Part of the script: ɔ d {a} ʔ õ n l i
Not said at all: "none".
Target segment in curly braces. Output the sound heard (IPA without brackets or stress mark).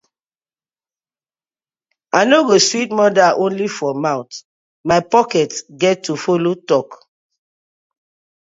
a